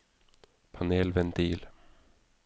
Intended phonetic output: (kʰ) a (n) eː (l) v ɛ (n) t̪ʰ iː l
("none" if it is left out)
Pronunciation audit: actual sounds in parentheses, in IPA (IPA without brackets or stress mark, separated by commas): pʰ, n, l, n